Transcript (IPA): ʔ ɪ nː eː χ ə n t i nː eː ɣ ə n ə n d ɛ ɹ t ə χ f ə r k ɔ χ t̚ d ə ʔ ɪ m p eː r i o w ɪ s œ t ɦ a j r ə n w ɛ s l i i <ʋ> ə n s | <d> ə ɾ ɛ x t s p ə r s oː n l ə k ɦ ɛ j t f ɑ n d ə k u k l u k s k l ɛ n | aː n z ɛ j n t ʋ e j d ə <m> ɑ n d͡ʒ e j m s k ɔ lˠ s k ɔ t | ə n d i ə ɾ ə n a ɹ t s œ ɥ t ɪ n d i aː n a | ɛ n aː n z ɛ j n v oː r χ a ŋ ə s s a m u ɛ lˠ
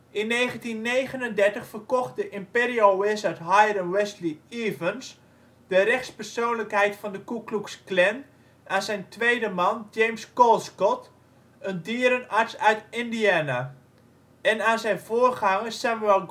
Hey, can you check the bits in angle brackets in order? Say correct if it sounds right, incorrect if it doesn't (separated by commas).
incorrect, correct, correct